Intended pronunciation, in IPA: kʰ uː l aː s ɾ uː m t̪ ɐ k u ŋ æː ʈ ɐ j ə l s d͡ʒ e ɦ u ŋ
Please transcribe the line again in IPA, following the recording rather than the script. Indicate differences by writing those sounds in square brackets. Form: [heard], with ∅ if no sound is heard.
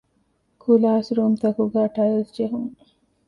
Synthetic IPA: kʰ [u] l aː s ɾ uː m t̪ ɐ k u [ɡ] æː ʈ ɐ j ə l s d͡ʒ e ɦ u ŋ

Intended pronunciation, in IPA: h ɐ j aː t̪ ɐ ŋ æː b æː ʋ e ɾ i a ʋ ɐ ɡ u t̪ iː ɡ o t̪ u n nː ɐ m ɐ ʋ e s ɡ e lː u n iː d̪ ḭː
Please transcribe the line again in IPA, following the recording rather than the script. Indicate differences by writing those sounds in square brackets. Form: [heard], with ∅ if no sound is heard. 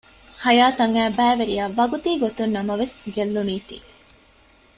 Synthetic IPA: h ɐ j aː t̪ ɐ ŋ æː b æː ʋ e ɾ i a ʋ ɐ ɡ u t̪ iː ɡ o t̪ u n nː ɐ m ɐ ʋ e s ɡ e lː u n iː [t̪] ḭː

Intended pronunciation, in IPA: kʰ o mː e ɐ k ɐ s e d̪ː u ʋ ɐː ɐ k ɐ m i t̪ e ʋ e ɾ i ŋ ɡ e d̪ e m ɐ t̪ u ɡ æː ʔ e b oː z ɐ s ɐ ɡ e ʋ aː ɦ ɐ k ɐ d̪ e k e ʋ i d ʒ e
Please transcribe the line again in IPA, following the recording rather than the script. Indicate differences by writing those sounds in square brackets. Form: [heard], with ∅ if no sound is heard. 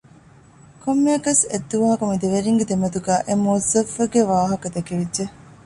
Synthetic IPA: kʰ o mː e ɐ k ɐ s e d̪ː u ʋ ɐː ɐ k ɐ m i [d̪] e ʋ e ɾ i ŋ ɡ e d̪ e m ɐ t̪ u ɡ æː ʔ e [m] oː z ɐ [f] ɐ ɡ e ʋ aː ɦ ɐ k ɐ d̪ e k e ʋ i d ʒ e

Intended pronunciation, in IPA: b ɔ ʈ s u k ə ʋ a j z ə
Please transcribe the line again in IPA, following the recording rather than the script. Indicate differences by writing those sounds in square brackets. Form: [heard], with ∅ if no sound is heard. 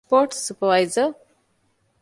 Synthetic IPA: [p] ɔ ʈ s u [p] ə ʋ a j z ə

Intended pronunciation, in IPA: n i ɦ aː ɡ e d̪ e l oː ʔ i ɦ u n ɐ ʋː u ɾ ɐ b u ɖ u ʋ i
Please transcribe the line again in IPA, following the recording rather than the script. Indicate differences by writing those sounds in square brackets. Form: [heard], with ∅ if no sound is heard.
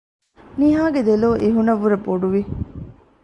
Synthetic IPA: n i ɦ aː ɡ e d̪ e l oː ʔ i ɦ u n ɐ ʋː u ɾ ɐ b [o] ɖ u ʋ i

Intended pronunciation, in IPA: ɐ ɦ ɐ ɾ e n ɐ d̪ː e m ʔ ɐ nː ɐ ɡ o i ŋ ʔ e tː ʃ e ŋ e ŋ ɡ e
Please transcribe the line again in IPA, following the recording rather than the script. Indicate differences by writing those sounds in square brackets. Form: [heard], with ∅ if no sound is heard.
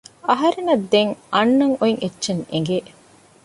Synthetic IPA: ɐ ɦ ɐ ɾ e n ɐ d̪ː e [ŋ] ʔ ɐ nː ɐ [ŋ] o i ŋ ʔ e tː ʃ e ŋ e ŋ ɡ e

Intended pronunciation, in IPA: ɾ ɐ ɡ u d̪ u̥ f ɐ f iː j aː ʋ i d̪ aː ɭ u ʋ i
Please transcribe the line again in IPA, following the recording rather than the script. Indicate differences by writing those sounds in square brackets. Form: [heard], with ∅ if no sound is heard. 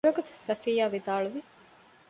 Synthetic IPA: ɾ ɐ ɡ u [t̪] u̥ [s] ɐ f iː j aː ʋ i d̪ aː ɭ u ʋ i

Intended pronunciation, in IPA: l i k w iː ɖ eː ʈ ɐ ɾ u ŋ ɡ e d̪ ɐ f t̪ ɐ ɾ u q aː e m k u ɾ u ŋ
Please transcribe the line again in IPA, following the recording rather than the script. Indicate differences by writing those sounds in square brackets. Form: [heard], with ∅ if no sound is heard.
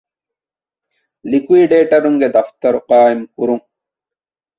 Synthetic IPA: l i k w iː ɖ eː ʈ ɐ ɾ u ŋ ɡ e d̪ ɐ f t̪ ɐ ɾ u q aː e m k u ɾ u ŋ

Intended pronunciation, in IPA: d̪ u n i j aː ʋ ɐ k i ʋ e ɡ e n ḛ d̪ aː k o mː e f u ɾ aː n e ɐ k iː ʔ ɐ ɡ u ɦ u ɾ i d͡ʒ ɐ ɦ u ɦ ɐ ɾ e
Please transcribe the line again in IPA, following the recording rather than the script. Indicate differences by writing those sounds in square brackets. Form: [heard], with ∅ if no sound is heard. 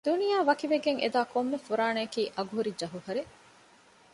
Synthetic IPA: d̪ u n i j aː ʋ ɐ k i ʋ e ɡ e [ŋ] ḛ d̪ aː k o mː e f u ɾ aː n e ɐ k iː ʔ ɐ ɡ u ɦ u ɾ i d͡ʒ ɐ ɦ u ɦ ɐ ɾ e

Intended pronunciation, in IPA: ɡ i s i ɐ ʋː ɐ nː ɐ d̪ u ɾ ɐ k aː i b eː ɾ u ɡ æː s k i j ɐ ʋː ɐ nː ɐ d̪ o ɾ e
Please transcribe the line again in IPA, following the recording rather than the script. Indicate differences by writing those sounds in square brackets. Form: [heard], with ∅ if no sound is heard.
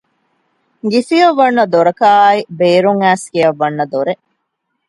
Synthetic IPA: ɡ i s i ɐ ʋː ɐ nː ɐ d̪ [o] ɾ ɐ k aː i b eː ɾ u [ŋ] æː s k i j ɐ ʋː ɐ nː ɐ d̪ o ɾ e

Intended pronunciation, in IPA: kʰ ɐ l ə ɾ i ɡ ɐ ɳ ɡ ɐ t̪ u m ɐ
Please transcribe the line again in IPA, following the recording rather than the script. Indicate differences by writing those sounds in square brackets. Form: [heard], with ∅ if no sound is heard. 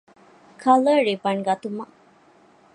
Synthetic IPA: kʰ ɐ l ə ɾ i [b] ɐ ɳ ɡ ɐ t̪ u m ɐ

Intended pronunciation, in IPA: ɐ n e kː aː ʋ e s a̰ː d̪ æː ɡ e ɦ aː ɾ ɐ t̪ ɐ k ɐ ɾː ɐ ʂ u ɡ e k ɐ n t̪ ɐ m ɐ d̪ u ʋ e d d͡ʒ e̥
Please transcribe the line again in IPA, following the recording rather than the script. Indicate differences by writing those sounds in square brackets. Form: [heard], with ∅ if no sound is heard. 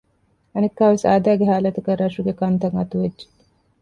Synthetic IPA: ɐ n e kː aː ʋ e s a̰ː d̪ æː ɡ e ɦ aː [l] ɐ t̪ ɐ k ɐ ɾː ɐ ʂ u ɡ e k ɐ n t̪ ɐ [ŋ] ɐ [t̪] u ʋ e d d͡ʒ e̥

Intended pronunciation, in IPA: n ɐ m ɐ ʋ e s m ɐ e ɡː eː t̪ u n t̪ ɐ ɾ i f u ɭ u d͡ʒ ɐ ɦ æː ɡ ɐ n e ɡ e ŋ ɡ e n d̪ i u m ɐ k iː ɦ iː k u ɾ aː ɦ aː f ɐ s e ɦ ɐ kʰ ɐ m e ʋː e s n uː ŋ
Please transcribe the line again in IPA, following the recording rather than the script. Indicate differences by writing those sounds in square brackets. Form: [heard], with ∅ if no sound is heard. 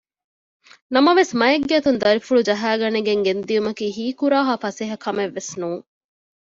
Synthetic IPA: n ɐ m ɐ ʋ e s m ɐ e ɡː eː t̪ u n [d̪] ɐ ɾ i f u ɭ u d͡ʒ ɐ ɦ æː ɡ ɐ n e ɡ e ŋ ɡ e n d̪ i u m ɐ k iː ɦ iː k u ɾ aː ɦ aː f ɐ s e ɦ ɐ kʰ ɐ m e ʋː e s n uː ŋ

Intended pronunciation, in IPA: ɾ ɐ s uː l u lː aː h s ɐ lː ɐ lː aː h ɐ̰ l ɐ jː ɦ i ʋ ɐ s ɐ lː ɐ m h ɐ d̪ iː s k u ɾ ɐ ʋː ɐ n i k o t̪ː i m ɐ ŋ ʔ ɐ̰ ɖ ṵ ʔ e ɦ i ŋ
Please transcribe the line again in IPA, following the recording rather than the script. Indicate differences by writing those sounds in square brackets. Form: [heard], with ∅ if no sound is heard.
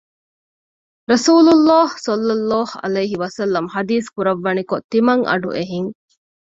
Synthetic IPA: ɾ ɐ s uː l u lː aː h s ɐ lː ɐ lː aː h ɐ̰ l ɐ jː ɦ i ʋ ɐ s ɐ lː ɐ m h ɐ d̪ iː s k u ɾ ɐ ʋː ɐ n i k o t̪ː i m ɐ ŋ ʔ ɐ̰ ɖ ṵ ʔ e ɦ i ŋ

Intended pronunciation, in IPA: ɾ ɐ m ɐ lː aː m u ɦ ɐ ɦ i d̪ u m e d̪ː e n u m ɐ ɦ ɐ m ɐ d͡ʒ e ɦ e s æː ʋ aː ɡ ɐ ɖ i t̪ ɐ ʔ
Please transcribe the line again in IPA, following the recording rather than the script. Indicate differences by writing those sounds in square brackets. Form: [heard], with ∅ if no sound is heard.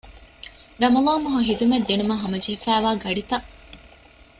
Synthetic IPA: ɾ ɐ m ɐ [l] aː m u ɦ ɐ ɦ i d̪ u m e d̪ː e n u m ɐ ɦ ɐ m ɐ d͡ʒ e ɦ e [f] æː ʋ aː ɡ ɐ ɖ i t̪ ɐ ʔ

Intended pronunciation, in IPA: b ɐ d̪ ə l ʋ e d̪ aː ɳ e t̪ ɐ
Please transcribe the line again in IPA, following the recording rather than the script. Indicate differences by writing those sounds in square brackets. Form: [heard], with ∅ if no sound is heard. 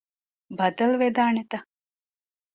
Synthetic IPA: b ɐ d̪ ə l ʋ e d̪ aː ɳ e t̪ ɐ

